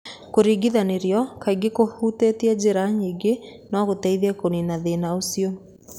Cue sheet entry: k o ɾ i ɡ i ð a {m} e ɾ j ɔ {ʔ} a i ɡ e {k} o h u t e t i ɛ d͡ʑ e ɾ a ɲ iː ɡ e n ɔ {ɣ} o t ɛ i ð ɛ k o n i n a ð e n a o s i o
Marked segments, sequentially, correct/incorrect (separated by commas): incorrect, incorrect, correct, correct